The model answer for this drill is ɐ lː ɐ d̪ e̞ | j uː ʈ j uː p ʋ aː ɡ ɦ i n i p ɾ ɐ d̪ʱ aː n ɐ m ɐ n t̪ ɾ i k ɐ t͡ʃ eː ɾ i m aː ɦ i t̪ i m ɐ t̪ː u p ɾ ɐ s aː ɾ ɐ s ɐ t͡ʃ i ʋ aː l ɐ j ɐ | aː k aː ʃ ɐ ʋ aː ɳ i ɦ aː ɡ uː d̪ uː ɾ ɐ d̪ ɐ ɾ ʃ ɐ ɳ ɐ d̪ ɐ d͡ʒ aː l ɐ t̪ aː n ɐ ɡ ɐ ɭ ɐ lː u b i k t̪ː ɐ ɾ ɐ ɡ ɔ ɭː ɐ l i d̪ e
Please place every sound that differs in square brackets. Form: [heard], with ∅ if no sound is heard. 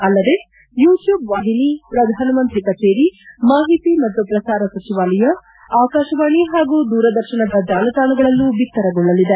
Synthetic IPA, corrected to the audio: ɐ lː ɐ d̪ e̞ | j uː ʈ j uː [b] ʋ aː [∅] ɦ i n i p ɾ ɐ d̪ʱ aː n ɐ m ɐ n t̪ ɾ i k ɐ t͡ʃ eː ɾ i m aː ɦ i t̪ i m ɐ t̪ː u p ɾ ɐ s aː ɾ ɐ s ɐ t͡ʃ i ʋ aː l ɐ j ɐ | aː k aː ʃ ɐ ʋ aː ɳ i ɦ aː ɡ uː d̪ uː ɾ ɐ d̪ ɐ ɾ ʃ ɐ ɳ ɐ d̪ ɐ d͡ʒ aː l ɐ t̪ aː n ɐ ɡ ɐ ɭ ɐ lː u b i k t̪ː ɐ ɾ ɐ ɡ ɔ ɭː ɐ l i d̪ e